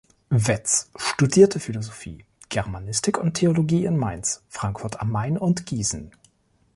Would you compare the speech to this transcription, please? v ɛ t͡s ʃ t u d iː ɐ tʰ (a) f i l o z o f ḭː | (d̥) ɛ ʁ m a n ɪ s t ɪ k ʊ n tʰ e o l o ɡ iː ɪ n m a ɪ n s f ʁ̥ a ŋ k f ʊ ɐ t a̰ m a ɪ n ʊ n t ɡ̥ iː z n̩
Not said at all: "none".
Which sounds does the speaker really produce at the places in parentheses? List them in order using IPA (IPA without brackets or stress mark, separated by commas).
ə, ɡ̥